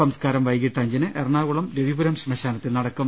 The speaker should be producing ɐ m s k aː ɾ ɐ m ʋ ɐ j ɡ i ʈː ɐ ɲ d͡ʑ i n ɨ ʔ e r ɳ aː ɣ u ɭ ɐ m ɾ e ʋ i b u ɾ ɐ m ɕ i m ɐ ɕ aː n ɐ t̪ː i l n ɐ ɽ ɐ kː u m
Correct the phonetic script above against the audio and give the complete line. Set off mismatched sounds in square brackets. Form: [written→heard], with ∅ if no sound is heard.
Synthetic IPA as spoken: ɐ m s k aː ɾ ɐ m ʋ ɐ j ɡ i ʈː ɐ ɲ d͡ʑ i n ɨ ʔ e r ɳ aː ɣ u ɭ ɐ m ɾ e ʋ i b u ɾ ɐ m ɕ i m ɐ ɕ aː n ɐ t̪ː i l n ɐ ɽ ɐ kː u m